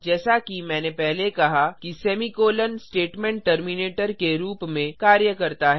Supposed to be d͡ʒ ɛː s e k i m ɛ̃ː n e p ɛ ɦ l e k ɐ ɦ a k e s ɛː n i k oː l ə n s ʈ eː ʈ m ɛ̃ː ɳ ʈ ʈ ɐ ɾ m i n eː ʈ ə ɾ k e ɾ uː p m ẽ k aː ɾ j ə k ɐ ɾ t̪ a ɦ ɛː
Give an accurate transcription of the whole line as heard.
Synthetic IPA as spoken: d͡ʒ ɛː s a k i m ɛ̃ː n e p ɛ ɦ l e k ɐ ɦ a k i s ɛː m i k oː l ə n s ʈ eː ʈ m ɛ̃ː ɳ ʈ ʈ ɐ ɾ m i n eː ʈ ə ɾ k e ɾ uː p m ẽ k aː ɾ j ə k ɐ ɾ t̪ a ɦ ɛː